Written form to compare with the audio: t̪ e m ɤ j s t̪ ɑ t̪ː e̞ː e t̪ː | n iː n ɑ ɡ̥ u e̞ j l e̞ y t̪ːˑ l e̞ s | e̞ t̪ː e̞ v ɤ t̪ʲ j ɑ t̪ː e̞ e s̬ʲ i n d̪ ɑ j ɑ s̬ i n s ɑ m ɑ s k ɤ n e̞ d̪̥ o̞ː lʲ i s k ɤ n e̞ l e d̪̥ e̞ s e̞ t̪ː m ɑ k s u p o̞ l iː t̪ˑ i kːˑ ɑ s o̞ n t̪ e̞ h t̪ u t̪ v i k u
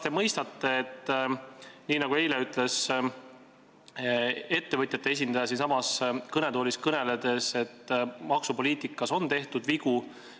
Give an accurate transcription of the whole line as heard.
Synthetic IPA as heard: t̪ e m ɤ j s t̪ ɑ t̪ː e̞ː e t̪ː | n iː n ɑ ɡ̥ u e̞ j l e̞ y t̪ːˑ l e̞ s | e̞ t̪ː e̞ v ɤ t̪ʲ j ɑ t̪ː e̞ e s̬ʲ i n d̪ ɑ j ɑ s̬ i n s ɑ m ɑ s k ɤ n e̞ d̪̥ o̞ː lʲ i s k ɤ n e̞ l e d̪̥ e̞ s e̞ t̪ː m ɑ k s u p o̞ l iː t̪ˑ i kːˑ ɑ s o̞ n t̪ e̞ h t̪ u d̪ v i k u